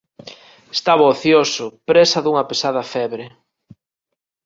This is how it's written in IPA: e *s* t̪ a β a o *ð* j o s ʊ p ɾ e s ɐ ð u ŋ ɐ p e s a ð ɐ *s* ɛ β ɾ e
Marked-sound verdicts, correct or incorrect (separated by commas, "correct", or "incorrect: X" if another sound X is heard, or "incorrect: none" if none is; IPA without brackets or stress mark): correct, incorrect: θ, incorrect: f